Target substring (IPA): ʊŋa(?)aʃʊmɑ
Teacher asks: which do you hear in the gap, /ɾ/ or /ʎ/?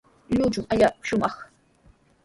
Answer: ʎ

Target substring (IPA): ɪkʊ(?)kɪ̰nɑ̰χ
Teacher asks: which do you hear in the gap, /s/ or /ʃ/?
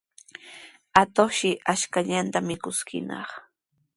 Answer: s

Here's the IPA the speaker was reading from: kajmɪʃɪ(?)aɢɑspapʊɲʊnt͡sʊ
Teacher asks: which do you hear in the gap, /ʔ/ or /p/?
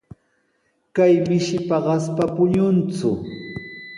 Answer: p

